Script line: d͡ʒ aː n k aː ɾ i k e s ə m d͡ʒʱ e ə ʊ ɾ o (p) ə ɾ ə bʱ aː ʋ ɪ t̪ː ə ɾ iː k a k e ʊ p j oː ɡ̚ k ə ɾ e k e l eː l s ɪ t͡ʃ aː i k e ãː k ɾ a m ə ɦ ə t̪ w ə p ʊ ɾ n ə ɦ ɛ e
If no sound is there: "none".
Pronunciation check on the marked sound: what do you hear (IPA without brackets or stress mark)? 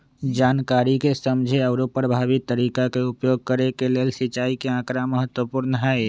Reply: p